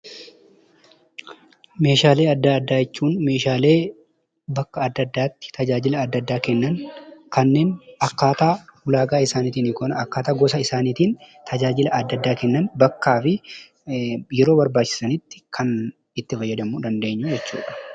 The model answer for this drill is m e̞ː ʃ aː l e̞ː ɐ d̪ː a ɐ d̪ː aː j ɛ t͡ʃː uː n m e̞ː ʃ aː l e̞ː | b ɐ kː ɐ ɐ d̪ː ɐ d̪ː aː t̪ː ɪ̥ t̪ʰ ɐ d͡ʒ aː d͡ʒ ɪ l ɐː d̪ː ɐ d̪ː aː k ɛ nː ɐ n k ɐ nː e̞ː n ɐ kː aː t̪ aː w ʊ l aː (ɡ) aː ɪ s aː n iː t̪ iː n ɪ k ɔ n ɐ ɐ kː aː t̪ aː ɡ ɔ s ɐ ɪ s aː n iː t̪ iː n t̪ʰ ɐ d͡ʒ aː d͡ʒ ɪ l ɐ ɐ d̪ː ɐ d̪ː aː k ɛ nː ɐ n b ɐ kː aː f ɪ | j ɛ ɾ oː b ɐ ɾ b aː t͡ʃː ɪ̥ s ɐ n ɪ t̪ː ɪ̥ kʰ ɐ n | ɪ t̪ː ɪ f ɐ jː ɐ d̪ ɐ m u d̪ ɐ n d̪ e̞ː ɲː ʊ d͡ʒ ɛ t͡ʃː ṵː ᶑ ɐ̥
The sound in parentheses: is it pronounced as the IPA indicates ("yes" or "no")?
yes